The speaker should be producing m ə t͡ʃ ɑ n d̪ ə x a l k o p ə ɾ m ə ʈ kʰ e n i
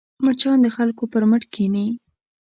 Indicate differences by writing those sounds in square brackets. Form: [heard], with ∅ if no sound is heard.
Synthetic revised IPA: m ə t͡ʃ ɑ n d̪ ə x a l k o p ə ɾ m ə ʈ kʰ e n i